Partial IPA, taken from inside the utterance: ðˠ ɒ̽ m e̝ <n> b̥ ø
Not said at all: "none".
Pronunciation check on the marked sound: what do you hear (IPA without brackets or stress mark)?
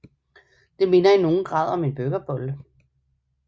n